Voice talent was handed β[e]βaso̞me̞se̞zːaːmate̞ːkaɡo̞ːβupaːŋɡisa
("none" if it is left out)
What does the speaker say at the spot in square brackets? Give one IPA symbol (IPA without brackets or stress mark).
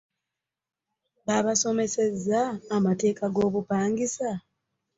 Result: a